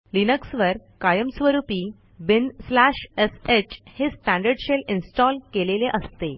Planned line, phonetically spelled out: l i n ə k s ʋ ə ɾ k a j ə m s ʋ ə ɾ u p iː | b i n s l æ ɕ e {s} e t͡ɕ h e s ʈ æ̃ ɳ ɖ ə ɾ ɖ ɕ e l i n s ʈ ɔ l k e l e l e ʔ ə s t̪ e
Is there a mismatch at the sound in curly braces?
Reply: no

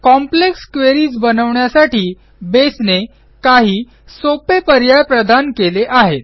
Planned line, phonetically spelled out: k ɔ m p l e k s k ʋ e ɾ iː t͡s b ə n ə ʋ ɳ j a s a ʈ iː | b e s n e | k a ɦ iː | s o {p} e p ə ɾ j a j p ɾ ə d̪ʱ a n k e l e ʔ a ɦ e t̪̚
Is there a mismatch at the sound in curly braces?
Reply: no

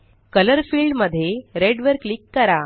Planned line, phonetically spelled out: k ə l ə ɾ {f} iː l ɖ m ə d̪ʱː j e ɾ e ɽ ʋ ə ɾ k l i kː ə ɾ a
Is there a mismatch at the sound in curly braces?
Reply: no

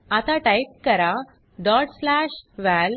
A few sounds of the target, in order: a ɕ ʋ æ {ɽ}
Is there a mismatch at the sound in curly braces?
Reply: yes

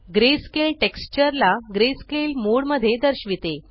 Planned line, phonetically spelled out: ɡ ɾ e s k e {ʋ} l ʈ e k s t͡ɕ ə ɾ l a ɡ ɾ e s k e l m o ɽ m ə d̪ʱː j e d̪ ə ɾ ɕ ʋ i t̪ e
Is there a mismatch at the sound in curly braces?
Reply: yes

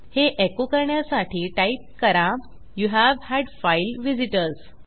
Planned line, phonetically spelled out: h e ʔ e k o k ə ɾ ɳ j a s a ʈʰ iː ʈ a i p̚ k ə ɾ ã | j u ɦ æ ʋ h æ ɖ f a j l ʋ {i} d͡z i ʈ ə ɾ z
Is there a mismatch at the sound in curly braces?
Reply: no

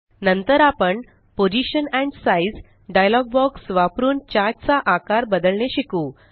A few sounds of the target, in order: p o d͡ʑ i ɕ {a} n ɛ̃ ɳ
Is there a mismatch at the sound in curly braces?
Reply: yes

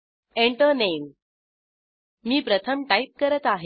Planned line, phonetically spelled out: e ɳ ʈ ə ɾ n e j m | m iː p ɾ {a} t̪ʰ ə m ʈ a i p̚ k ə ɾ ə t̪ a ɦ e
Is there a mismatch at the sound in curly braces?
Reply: yes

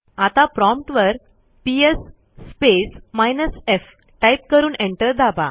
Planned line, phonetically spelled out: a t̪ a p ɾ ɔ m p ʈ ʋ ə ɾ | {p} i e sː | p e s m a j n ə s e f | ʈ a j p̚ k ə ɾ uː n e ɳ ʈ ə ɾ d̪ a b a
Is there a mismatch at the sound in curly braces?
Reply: no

